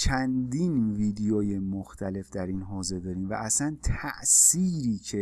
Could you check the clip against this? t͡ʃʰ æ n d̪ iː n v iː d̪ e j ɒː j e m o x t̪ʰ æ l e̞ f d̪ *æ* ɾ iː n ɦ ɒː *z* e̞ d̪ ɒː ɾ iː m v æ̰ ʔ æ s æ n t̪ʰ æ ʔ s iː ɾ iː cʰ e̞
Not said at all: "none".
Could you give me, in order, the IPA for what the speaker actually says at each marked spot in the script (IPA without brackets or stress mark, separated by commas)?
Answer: æ, z